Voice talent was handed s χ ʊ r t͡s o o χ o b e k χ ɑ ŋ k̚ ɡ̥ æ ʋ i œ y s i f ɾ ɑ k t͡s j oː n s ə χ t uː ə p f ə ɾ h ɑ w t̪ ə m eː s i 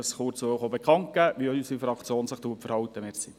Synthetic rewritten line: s χ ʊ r t͡s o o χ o b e k χ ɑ ŋ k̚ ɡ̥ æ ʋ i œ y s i f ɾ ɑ k t͡s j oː n s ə χ t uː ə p f ə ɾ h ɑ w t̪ ə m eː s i